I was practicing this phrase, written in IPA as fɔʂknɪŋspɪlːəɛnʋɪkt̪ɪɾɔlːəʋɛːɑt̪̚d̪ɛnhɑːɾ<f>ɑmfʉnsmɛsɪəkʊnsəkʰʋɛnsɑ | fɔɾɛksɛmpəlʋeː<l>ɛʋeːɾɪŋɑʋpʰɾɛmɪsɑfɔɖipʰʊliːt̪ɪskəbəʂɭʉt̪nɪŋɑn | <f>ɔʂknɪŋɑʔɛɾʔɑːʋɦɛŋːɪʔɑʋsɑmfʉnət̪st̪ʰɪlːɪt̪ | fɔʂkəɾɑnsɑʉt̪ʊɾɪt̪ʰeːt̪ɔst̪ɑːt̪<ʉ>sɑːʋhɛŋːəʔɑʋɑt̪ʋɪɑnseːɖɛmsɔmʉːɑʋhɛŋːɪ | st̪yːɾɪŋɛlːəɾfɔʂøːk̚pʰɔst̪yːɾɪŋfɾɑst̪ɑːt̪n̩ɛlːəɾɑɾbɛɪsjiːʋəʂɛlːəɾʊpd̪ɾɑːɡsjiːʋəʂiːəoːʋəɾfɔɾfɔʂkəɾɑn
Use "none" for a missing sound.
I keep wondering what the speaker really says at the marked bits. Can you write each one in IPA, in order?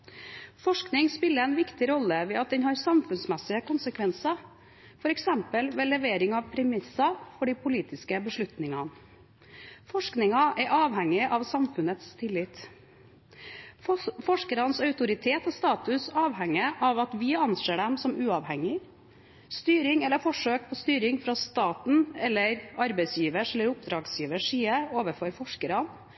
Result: s, l, f, ʉ

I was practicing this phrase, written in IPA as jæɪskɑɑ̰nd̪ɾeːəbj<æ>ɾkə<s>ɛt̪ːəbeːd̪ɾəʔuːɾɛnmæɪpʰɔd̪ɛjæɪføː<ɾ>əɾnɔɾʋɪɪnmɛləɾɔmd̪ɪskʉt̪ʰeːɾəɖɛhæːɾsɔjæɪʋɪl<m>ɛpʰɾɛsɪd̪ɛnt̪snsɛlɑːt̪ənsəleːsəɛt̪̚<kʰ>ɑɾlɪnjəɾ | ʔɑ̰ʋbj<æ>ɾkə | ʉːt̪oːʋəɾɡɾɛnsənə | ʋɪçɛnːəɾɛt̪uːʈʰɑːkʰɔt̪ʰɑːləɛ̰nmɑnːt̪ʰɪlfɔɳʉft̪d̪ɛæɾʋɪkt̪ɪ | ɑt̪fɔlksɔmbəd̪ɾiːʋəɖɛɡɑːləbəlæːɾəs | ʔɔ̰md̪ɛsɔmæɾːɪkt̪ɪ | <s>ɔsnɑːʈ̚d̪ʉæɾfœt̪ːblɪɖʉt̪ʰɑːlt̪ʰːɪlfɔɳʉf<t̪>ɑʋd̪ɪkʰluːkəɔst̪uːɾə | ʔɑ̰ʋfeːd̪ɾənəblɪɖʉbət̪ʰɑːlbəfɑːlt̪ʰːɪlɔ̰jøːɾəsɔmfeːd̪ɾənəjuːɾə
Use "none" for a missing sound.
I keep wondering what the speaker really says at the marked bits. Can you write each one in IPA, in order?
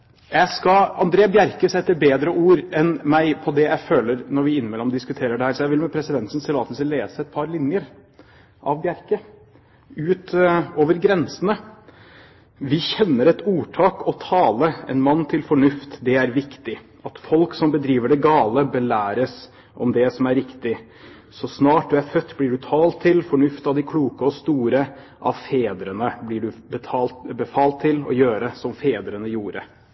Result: æ, s, l, m, pʰ, æ, s, t̪

